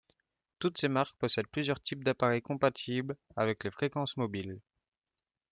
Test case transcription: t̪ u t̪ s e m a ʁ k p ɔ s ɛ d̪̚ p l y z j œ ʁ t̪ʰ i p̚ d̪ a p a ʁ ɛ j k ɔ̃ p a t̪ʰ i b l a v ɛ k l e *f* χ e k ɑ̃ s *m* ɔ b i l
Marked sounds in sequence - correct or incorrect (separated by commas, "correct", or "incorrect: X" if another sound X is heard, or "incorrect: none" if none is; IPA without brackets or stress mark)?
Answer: correct, correct